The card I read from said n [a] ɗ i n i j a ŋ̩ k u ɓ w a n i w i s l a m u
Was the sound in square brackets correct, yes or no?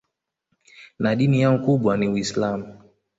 yes